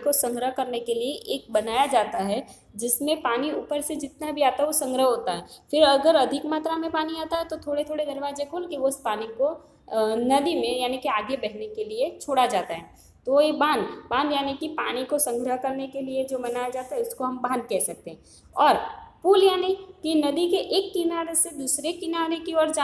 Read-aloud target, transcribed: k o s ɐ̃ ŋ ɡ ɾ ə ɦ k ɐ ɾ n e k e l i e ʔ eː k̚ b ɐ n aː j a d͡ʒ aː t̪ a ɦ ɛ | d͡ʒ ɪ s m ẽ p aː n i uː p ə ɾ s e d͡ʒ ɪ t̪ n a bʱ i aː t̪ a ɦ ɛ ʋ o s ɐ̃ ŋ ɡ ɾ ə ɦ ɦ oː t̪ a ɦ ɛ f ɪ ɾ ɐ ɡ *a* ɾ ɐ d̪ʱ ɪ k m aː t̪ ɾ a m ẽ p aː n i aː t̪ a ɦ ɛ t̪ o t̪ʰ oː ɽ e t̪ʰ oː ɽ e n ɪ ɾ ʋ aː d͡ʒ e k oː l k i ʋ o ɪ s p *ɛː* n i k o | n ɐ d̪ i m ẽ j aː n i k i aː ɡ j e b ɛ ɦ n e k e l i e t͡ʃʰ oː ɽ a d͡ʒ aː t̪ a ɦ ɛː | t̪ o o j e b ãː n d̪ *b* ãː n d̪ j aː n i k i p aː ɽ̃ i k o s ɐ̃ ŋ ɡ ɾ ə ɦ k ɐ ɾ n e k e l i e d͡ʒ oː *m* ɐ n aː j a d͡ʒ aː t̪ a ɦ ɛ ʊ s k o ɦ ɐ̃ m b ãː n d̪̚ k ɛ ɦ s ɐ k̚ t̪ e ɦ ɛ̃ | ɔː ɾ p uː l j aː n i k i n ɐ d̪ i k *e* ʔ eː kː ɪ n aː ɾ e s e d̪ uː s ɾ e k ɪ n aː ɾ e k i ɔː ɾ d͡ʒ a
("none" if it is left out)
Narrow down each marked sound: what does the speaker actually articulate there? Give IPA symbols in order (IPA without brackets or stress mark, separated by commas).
ə, aː, b, m, e